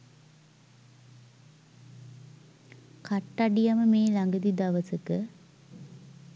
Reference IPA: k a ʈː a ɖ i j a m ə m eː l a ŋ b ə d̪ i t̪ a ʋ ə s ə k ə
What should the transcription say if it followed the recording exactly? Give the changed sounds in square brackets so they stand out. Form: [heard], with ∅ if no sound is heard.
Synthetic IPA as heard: k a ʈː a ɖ i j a m ə m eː l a ŋ [ɡ] ə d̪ i [d̪] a ʋ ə s ə k ə